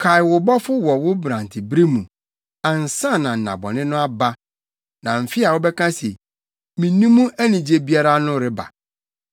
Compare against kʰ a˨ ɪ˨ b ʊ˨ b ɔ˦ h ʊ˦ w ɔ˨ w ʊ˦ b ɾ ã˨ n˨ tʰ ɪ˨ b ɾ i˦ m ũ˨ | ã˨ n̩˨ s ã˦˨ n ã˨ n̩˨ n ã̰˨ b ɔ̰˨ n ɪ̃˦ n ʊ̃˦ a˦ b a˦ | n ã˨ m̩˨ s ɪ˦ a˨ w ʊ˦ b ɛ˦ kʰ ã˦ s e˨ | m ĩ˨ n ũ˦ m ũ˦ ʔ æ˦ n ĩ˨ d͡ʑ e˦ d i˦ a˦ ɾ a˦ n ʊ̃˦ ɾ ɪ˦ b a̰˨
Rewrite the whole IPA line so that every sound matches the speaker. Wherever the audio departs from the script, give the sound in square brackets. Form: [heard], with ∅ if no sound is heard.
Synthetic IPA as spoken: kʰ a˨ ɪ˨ [w] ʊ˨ b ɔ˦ [f] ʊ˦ w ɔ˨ w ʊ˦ b ɾ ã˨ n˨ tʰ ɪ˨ b ɾ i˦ m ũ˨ | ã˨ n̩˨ s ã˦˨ n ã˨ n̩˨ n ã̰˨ b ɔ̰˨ n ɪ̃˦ n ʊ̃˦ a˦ b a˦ | n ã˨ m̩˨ [f] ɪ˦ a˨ w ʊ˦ b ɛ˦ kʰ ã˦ s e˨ | m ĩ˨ n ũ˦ m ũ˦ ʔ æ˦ n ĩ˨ d͡ʑ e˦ [b] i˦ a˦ ɾ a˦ n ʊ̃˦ ɾ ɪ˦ b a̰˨